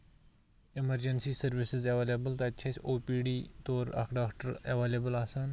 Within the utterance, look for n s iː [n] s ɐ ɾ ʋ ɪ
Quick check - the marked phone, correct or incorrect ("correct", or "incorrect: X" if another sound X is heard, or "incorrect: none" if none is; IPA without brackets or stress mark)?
incorrect: none